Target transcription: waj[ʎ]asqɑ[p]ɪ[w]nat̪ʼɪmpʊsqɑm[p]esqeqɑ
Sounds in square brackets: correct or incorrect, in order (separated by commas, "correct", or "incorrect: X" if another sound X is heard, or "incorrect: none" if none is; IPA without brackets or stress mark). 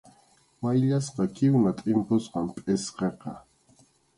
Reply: correct, incorrect: k, correct, incorrect: pʼ